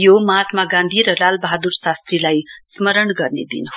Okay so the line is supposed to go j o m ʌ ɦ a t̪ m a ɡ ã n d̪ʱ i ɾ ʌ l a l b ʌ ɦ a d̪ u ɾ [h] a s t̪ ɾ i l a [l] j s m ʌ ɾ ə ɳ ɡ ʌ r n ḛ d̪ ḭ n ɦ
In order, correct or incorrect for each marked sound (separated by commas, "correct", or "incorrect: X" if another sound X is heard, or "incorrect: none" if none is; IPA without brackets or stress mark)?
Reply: incorrect: s, incorrect: none